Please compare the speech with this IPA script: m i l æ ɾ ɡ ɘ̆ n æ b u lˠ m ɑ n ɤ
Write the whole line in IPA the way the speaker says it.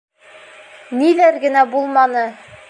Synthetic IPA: n i l æ ɾ ɡ ɘ̆ n æ b u lˠ m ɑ n ɤ

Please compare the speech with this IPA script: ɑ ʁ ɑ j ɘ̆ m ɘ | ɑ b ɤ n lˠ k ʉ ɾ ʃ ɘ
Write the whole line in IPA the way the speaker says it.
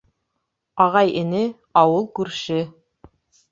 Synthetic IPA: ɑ ʁ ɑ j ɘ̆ n ɘ | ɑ w ɤ lˠ k ʉ ɾ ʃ ɘ

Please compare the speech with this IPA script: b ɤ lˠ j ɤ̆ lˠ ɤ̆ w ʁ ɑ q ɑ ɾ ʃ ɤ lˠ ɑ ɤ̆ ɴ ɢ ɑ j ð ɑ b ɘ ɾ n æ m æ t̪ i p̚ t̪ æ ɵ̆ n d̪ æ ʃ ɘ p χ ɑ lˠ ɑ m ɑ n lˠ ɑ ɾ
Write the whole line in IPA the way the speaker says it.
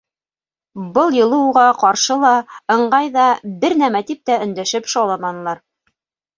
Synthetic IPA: b ɤ lˠ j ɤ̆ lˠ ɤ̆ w ʁ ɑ q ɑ ɾ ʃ ɤ lˠ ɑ ɤ̆ ɴ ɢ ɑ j ð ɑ b ɘ ɾ n æ m æ t̪ i p̚ t̪ æ ɵ̆ n d̪ æ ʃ ɘ p ʃ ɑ lˠ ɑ m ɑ n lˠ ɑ ɾ

